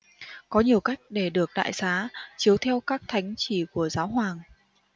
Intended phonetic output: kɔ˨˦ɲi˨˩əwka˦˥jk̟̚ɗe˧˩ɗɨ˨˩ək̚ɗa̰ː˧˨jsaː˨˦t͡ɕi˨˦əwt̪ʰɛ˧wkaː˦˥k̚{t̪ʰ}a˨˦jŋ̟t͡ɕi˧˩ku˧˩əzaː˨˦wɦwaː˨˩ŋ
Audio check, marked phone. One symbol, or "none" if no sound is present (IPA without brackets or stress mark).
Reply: t̪ʰ